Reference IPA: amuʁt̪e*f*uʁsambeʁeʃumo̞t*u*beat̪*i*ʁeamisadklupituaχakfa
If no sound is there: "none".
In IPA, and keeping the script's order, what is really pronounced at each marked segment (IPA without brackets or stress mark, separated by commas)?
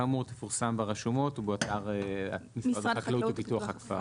f, u, a